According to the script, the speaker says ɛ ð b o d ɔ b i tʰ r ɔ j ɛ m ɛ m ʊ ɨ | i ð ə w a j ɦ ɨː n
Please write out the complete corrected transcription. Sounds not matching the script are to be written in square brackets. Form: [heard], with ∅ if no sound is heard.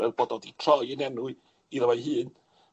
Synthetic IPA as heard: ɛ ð b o d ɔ [d] i tʰ r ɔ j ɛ [n] ɛ [n] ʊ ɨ | i ð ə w a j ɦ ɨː n

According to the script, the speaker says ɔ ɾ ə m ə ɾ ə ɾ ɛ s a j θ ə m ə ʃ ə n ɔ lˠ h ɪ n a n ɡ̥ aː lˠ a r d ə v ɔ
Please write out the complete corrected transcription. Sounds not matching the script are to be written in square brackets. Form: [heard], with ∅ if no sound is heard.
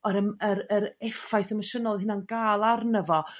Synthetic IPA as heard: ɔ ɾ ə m ə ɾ ə ɾ ɛ [f] a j θ ə m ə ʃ ə n ɔ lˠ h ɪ n a n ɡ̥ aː lˠ a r [n] ə v ɔ

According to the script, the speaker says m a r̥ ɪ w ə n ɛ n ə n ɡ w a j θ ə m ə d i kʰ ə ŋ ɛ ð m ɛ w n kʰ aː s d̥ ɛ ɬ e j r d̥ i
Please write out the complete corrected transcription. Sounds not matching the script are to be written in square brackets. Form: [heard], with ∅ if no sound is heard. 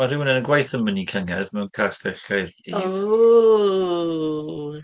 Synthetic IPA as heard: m a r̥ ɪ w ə n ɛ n ə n ɡ w a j θ ə m ə [n] i kʰ ə ŋ ɛ ð m ɛ w n kʰ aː s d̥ ɛ ɬ [a] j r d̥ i

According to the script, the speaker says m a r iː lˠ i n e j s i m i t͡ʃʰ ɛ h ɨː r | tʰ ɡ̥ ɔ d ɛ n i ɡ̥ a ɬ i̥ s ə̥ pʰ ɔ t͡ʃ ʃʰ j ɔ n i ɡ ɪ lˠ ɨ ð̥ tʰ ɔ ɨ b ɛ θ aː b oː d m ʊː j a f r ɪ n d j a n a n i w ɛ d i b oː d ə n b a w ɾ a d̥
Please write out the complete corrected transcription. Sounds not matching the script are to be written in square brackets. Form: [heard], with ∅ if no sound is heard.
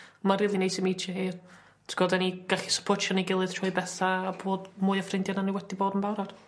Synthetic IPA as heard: m a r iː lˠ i n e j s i m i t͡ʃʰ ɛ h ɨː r | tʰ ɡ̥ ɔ d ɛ n i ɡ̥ a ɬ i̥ s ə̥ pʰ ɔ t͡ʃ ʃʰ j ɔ n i ɡ ɪ lˠ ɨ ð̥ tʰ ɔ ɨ b ɛ θ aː b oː d m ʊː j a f r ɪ n d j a n a n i w ɛ d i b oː d ə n b a w ɾ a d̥

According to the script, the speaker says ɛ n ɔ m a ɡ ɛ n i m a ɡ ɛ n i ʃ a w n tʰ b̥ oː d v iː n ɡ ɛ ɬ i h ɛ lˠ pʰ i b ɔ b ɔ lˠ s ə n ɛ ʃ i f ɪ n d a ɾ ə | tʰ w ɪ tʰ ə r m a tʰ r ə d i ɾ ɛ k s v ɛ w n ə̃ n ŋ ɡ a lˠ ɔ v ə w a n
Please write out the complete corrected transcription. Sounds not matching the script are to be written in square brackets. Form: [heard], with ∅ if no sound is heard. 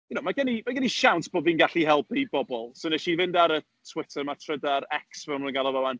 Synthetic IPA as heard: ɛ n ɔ m a ɡ ɛ n i m a ɡ ɛ n i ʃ a w n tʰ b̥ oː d v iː n ɡ [a] ɬ i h ɛ lˠ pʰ i b ɔ b ɔ lˠ s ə n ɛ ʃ i [v] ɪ n d a ɾ ə | tʰ w ɪ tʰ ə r m a tʰ r ə d [a] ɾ ɛ k s v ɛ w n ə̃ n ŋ ɡ a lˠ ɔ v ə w a n

